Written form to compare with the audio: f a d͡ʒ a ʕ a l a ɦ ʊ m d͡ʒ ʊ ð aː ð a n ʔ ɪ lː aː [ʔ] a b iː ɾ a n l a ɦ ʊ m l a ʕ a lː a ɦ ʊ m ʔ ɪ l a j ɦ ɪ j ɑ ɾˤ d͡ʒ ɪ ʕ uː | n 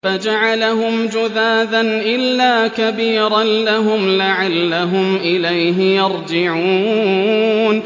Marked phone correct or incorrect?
incorrect